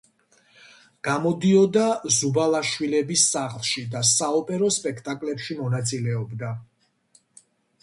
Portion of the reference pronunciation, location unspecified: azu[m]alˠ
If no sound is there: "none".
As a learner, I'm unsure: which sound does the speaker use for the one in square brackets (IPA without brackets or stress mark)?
b